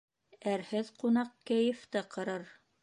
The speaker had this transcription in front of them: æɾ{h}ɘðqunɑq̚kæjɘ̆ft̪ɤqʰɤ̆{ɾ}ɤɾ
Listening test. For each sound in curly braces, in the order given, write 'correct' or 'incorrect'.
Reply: correct, correct

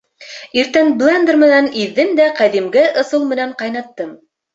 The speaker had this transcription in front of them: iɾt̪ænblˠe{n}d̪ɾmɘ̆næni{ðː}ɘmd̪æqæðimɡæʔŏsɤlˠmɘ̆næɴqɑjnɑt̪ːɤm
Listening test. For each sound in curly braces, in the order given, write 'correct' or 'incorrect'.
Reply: correct, correct

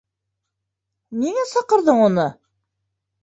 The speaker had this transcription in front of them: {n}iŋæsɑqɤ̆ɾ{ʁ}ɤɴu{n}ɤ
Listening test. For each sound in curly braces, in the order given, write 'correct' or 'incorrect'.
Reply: correct, incorrect, correct

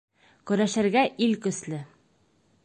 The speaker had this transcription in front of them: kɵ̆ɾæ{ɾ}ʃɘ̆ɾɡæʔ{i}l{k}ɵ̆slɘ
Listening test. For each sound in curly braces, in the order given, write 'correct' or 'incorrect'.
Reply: incorrect, correct, correct

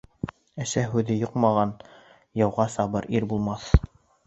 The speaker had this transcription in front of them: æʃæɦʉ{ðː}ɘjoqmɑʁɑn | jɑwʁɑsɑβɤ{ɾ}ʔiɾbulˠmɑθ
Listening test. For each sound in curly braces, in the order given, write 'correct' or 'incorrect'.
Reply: incorrect, correct

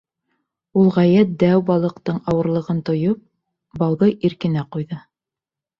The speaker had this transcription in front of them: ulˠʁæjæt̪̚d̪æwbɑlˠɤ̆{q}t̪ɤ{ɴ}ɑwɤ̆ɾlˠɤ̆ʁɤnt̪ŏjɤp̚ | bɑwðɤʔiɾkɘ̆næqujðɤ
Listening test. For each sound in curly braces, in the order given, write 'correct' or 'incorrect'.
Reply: correct, correct

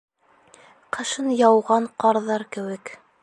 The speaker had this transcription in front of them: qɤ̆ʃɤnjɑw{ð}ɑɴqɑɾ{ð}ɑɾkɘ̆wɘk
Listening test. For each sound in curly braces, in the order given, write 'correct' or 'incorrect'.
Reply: incorrect, correct

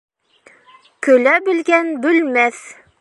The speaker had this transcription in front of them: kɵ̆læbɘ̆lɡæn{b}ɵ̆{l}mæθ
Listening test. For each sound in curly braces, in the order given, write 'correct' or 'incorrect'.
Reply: correct, correct

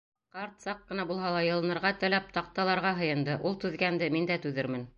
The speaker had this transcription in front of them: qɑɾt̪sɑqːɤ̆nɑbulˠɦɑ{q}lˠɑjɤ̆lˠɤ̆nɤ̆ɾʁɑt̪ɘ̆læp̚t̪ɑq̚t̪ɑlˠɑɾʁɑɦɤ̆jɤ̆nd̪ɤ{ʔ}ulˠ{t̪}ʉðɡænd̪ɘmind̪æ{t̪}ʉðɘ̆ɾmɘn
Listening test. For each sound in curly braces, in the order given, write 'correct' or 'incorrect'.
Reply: incorrect, correct, correct, correct

